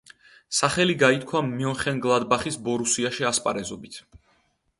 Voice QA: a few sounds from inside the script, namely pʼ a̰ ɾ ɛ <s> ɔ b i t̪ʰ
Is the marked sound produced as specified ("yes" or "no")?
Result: no